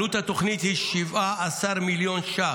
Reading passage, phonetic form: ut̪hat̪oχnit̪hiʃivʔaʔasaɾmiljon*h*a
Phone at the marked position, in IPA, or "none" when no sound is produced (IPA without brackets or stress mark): ʃ